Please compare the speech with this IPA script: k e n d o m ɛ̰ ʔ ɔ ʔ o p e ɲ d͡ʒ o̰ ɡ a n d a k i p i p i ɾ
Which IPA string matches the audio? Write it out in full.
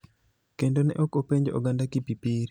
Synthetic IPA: k e n d o n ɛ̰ ʔ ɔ k o p e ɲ d͡ʒ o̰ ɡ a n d a k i p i p i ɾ